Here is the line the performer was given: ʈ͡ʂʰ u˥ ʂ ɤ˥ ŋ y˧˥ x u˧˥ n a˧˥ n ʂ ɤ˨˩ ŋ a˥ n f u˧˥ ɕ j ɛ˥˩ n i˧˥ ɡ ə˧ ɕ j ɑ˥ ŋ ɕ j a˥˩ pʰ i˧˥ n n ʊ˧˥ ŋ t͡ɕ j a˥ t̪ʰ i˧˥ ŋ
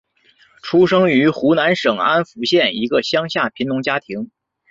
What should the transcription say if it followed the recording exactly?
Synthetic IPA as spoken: ʈ͡ʂʰ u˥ ʂ ɤ˥ ŋ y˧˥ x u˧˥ n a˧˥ n ʂ ɤ˨˩ ŋ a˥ n f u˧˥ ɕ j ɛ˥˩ n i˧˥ ɡ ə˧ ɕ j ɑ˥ ŋ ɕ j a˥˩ pʰ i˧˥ n n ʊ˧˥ ŋ t͡ɕ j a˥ t̪ʰ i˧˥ ŋ